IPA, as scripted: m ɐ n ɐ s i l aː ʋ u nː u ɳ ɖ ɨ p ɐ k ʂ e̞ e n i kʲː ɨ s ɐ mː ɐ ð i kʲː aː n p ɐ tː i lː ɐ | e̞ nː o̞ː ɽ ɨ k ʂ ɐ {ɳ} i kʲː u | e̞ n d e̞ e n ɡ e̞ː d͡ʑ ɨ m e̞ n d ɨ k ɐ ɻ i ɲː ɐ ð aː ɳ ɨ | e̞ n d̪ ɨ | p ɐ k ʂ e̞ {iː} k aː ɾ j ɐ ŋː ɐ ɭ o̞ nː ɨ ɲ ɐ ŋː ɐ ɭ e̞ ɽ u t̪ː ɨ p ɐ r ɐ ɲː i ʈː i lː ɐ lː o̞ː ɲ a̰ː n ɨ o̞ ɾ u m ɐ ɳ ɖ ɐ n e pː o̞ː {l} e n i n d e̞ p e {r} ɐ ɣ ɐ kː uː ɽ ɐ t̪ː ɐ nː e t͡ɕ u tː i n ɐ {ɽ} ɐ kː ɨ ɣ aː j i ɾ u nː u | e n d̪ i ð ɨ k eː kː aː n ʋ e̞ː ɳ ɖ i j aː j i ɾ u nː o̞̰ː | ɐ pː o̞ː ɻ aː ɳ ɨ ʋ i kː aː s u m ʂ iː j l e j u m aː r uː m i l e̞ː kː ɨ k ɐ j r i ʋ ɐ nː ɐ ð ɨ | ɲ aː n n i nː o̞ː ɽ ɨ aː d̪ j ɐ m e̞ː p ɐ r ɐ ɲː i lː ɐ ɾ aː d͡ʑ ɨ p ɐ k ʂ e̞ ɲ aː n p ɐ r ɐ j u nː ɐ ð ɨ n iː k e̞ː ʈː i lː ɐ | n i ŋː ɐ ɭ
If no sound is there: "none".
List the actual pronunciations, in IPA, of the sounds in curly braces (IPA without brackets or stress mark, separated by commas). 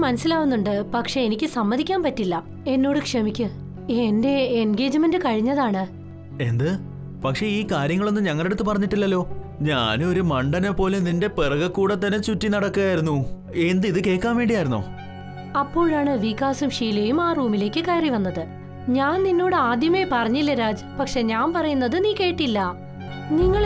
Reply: m, iː, l, r, ɽ